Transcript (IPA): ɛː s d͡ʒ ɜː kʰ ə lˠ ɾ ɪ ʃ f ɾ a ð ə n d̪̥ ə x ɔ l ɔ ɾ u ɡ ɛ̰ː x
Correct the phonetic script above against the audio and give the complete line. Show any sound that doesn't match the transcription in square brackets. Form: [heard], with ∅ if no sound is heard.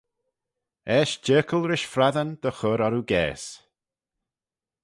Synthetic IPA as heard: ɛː [ʃ] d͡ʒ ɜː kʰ ə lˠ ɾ ɪ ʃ f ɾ a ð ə n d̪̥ ə x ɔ [ɾ] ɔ ɾ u ɡ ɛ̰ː [s]